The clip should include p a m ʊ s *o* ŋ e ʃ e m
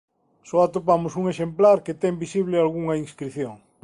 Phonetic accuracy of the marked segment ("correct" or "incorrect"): incorrect